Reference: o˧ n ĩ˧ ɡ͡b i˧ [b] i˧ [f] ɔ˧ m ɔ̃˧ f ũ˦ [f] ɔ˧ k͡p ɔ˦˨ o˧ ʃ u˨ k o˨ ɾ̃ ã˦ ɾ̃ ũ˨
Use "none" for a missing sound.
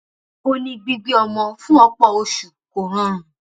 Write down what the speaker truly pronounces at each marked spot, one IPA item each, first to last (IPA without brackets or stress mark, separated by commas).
ɡ͡b, none, none